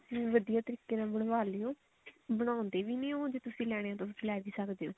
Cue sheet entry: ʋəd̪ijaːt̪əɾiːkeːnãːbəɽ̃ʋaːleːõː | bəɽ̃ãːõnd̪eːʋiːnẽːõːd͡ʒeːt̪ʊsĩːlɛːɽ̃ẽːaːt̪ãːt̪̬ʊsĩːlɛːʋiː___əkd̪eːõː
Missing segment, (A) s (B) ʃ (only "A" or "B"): A